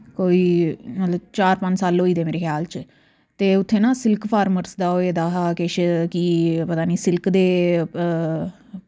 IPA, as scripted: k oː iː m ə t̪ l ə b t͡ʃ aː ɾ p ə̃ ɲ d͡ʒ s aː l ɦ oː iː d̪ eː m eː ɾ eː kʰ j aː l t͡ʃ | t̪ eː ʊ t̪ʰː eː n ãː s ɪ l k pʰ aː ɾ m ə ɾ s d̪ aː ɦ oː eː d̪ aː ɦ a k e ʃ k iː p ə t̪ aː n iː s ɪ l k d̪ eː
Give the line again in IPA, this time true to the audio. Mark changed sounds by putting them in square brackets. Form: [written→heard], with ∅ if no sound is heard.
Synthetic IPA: k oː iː m ə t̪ l ə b t͡ʃ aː ɾ p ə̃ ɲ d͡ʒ s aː l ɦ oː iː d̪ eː m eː ɾ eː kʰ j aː l t͡ʃ | t̪ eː ʊ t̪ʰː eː n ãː s ɪ l k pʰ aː ɾ m ə ɾ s d̪ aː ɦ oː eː d̪ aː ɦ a k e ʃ k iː p ə t̪ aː n iː s ɪ l k d̪ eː